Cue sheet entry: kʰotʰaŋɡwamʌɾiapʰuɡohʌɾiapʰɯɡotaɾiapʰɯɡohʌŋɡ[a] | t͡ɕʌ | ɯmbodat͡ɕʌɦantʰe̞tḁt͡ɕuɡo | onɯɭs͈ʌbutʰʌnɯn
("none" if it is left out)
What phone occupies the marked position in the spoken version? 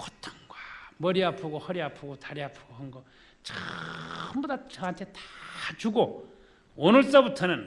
ʌ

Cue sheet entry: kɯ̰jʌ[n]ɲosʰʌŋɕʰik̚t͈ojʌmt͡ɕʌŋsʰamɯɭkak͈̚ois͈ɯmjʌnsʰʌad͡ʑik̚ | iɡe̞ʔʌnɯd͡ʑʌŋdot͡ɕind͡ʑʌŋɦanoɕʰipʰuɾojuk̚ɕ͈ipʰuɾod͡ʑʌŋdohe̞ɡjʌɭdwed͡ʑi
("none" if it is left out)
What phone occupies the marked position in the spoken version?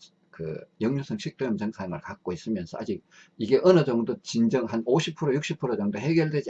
ŋ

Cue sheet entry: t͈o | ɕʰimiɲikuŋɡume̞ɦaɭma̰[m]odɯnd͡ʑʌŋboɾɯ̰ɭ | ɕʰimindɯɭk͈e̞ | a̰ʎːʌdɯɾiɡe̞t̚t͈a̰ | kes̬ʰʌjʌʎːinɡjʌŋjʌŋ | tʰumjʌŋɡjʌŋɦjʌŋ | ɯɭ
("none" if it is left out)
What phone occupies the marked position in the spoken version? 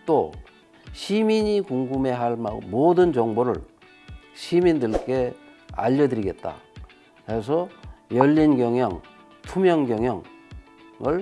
m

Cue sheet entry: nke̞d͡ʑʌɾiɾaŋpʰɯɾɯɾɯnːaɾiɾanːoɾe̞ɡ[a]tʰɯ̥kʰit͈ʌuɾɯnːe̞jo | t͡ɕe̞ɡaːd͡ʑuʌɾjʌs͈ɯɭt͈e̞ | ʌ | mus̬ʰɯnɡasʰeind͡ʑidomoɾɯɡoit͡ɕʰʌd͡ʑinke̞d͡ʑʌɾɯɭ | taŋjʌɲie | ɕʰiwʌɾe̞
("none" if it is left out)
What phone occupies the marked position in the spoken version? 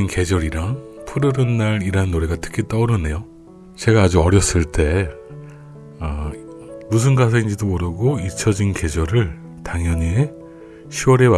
a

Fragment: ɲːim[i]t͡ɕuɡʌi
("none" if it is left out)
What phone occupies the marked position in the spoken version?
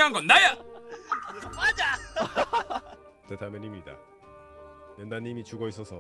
i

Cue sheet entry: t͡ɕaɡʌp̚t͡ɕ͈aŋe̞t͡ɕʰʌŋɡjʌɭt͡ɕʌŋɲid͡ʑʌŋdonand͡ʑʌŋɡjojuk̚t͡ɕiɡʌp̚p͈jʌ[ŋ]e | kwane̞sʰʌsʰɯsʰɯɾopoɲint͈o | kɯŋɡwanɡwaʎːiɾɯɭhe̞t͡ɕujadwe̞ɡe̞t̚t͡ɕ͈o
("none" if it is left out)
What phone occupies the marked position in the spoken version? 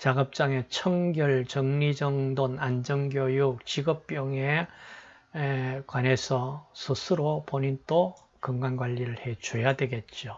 ŋ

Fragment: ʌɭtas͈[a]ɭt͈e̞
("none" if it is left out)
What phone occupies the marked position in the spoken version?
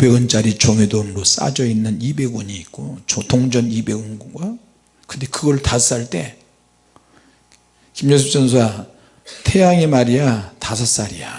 a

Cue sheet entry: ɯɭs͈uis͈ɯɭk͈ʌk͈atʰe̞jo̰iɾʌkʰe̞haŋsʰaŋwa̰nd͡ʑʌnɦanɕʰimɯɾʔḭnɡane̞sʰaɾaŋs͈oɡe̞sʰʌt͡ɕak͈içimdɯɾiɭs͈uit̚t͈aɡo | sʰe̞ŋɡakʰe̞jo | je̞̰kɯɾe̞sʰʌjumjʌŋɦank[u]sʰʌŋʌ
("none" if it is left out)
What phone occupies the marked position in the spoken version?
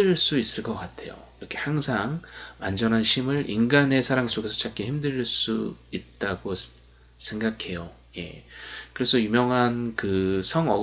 ɯ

